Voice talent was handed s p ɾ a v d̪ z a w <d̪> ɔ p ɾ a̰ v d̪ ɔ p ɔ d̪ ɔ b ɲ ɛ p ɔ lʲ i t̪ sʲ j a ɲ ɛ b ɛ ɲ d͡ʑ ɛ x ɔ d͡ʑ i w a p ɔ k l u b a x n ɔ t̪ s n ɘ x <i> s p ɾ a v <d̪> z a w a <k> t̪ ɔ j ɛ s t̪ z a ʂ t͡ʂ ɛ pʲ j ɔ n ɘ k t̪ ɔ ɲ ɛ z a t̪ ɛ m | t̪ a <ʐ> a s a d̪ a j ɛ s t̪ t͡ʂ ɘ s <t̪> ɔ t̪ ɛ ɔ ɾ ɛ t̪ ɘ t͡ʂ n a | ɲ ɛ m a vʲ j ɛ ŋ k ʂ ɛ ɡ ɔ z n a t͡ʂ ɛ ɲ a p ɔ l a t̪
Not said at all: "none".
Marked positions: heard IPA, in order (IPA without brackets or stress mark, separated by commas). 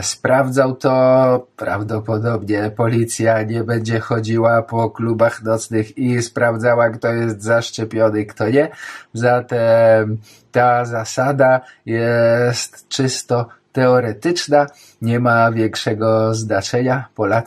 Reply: t̪, i, d̪, k, z, t̪